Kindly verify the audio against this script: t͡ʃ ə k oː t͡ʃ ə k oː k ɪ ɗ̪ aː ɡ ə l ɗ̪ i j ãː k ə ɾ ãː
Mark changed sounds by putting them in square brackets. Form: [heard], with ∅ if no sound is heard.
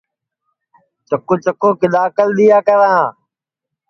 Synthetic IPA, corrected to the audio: t͡ʃ ə k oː t͡ʃ ə k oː k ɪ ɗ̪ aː [k] ə l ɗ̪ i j [aː] k ə ɾ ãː